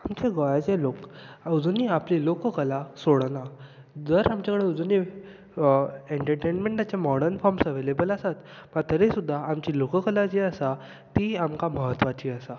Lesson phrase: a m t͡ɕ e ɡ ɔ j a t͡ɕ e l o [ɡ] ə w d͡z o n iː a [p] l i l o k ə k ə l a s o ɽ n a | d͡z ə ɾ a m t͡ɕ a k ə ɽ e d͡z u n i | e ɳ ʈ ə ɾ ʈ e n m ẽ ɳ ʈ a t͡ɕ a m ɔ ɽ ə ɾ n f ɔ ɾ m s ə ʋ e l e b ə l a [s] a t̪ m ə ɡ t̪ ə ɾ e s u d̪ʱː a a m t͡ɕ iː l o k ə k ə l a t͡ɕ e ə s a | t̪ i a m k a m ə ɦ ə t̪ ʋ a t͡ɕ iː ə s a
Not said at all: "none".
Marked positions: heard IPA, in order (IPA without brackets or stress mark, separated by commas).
k, p, s